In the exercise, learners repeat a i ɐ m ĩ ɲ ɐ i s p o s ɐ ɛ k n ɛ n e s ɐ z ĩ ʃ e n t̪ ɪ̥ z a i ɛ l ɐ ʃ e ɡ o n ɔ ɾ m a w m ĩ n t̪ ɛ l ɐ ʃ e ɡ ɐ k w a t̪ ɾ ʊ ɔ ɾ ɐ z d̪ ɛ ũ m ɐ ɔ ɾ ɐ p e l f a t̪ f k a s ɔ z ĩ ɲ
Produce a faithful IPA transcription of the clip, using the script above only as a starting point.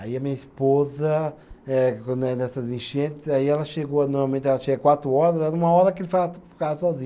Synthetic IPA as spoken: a i ɐ m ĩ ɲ ɐ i s p o z ɐ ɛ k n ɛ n ɛ s ɐ z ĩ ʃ ẽ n t̪ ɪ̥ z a i ɛ l ɐ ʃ e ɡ o n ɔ ɾ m a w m ẽ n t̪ ɛ l ɐ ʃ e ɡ ɐ k w a t̪ ɾ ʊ ɔ ɾ ɐ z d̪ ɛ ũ m ɐ ɔ ɾ ɐ k e l f a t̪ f k a s ɔ z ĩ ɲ

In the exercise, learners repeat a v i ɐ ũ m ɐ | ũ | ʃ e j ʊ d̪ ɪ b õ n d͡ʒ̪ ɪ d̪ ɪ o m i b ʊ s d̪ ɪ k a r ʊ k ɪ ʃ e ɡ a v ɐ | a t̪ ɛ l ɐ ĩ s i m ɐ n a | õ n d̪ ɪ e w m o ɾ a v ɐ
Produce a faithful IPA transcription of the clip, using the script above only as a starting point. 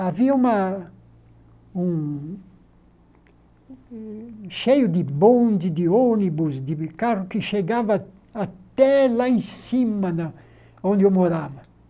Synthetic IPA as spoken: a v i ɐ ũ m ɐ | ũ | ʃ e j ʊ d̪ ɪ b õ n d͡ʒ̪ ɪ d̪ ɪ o n i b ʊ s d̪ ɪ k a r ʊ k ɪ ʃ e ɡ a v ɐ | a t̪ ɛ l a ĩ s i m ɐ n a | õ n d̪ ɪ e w m o ɾ a v ɐ

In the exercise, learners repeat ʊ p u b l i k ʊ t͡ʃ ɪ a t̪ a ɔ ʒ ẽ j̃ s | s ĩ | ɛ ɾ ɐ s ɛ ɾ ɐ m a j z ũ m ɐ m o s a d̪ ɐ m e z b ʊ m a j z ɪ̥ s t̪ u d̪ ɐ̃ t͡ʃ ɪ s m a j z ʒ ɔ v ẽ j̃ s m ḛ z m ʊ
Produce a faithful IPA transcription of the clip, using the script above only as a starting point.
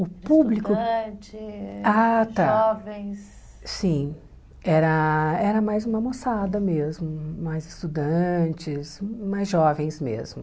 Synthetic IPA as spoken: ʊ p u b l i k ʊ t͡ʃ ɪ a t̪ a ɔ v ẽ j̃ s | s ĩ | ɛ ɾ ɐ ɛ ɾ ɐ m a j z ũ m ɐ m o s a d̪ ɐ m e z m ʊ m a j z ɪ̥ s t̪ u d̪ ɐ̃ t͡ʃ ɪ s m a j z ʒ ɔ v ẽ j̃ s m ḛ z m ʊ

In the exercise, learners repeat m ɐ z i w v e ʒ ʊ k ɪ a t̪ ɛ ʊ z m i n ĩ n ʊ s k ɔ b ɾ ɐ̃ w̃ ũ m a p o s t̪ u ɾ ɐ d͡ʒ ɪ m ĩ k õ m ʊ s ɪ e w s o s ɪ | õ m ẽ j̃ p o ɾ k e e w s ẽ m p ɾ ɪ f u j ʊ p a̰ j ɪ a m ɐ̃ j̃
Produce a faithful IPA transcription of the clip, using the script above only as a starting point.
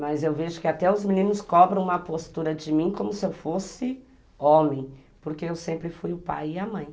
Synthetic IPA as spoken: m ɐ z e w v e ʒ ʊ k ɪ a t̪ ɛ ʊ z m i n ĩ n ʊ s k ɔ b ɾ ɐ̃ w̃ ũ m ɐ p o s t̪ u ɾ ɐ d͡ʒ ɪ m ĩ k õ m ʊ s ɪ e w f o s ɪ | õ m ẽ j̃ p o ɾ k e e w s ẽ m p ɾ ɪ f u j ʊ p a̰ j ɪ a m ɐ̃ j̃

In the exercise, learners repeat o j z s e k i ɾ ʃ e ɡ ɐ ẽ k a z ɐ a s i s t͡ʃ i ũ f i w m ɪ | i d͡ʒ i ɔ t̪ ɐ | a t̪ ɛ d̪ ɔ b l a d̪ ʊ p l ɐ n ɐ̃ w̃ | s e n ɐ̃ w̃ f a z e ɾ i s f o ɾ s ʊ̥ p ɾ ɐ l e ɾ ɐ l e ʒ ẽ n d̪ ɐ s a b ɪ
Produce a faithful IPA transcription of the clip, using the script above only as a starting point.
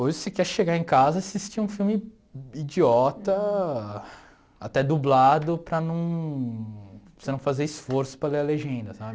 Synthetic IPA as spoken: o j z s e k ɛ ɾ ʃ e ɡ a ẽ k a z ɐ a s i s t͡ʃ i ũ f i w m ɪ | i d͡ʒ i ɔ t̪ ɐ | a t̪ ɛ d̪ u b l a d̪ ʊ p ɾ ɐ n ɐ̃ w̃ | s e n ɐ̃ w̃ f a z e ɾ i s f o ɾ s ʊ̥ p ɾ ɐ l e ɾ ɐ l e ʒ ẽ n d̪ ɐ s a b ɪ

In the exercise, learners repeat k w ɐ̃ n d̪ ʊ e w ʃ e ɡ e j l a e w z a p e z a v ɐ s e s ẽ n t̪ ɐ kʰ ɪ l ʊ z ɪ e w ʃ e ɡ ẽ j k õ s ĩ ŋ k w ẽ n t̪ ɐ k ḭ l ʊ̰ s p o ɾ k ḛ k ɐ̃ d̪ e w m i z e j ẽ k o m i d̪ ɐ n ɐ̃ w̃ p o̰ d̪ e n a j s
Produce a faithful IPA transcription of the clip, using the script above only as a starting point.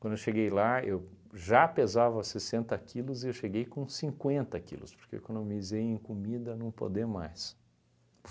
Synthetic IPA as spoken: k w ɐ̃ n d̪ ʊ e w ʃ e ɡ e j l a e w ʒ a p e z a v ɐ s e s ẽ n t̪ ɐ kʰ i l ʊ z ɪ e w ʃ e ɡ e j k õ s ĩ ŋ k w ẽ n t̪ ɐ k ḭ l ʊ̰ s p o ɾ k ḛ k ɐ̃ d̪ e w m i z e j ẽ k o m i d̪ ɐ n ɐ̃ w̃ p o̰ d̪ e m a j s

